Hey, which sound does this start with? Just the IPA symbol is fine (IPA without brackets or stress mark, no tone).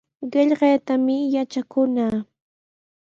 ɢ